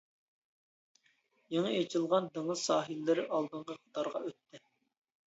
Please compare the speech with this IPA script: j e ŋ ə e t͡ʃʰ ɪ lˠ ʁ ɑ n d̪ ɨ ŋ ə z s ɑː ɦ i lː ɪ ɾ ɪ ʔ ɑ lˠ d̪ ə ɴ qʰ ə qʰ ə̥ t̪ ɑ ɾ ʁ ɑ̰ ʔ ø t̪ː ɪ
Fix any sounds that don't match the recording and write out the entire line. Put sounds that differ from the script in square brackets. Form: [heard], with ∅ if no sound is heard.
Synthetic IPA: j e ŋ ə e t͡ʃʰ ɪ lˠ ʁ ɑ n d̪ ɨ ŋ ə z s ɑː ɦ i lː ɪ ɾ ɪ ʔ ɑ lˠ d̪ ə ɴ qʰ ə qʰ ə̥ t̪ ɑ ɾ ʁ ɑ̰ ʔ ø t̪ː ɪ